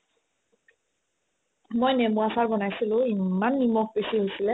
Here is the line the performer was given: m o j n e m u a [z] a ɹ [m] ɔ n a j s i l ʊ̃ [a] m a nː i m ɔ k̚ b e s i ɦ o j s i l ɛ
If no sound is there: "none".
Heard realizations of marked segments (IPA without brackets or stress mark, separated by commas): s, b, i